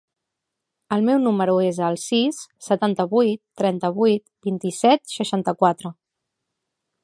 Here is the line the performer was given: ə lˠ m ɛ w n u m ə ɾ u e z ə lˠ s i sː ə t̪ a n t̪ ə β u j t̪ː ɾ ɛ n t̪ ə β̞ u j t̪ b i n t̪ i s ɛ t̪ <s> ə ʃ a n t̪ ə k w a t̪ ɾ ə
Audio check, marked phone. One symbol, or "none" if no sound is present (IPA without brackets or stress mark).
ʃ